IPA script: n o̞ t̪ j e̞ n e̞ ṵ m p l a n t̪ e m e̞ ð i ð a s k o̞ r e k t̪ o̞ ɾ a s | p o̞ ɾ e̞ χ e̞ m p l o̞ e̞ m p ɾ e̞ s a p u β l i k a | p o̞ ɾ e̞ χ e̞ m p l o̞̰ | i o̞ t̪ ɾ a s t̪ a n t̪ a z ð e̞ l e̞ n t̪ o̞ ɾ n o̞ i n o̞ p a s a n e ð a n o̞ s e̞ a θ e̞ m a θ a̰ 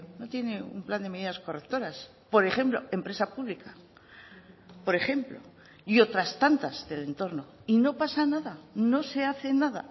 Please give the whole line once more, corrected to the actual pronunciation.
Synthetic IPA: n o̞ t̪ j e̞ n e̞ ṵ m p l a n d̪ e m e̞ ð i ð a s k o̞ r e k t̪ o̞ ɾ a s | p o̞ ɾ e̞ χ e̞ m p l o̞ e̞ m p ɾ e̞ s a p u β l i k a | p o̞ ɾ e̞ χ e̞ m p l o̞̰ | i o̞ t̪ ɾ a s t̪ a n t̪ a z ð e̞ l e̞ n t̪ o̞ ɾ n o̞ i n o̞ p a s a n a ð a n o̞ s e̞ a θ e̞ n a ð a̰